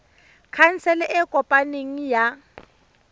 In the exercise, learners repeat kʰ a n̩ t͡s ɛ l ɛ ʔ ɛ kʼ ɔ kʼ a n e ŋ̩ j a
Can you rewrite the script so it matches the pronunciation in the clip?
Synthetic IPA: kʰ a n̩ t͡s ɛ l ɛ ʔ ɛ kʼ ɔ pʼ a n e ŋ̩ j a